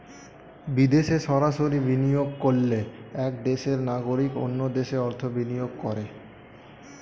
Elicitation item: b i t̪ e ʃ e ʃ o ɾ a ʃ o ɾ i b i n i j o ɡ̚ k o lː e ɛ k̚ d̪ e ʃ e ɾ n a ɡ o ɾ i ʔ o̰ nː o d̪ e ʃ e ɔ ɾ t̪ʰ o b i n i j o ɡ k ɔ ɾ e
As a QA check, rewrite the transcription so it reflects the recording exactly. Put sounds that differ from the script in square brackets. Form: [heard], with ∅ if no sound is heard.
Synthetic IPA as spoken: b i [d̪] e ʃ e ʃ [ɔ] ɾ a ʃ o ɾ i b i n i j o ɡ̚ k o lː e ɛ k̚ d̪ e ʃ e ɾ n a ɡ o ɾ i [k] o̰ nː o d̪ e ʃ e ɔ ɾ t̪ʰ o b i n i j o ɡ k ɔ ɾ e